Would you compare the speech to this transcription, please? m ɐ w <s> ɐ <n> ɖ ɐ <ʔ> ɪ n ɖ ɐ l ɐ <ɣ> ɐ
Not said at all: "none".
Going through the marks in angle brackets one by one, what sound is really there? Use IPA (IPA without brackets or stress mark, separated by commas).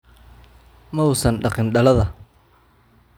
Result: s, n, q, ð